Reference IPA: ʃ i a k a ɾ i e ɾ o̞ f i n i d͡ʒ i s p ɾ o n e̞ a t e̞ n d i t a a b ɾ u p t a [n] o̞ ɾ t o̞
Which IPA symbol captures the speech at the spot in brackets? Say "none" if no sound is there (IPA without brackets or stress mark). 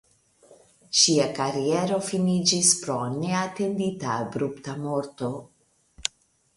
m